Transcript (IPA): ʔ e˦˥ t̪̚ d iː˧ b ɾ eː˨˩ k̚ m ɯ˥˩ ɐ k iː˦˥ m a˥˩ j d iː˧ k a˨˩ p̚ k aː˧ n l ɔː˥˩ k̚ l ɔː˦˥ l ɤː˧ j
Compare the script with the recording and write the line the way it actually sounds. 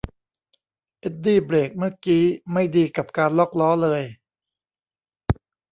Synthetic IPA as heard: ʔ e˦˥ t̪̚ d iː˥˩ b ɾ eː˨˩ k̚ m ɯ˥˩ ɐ k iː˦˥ m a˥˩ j d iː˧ k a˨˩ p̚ k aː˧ n l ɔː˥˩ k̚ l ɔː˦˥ l ɤː˧ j